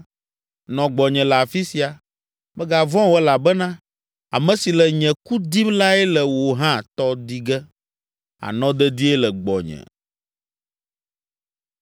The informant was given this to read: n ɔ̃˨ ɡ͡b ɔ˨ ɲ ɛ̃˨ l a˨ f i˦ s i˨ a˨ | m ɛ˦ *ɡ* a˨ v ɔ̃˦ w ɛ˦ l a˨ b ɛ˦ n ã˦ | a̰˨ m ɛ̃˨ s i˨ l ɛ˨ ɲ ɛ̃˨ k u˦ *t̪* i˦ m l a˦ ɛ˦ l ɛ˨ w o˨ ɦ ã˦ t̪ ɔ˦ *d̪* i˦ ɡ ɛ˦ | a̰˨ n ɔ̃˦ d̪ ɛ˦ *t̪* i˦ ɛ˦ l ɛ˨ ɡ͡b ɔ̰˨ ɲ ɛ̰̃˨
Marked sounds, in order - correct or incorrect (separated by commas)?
correct, incorrect, correct, incorrect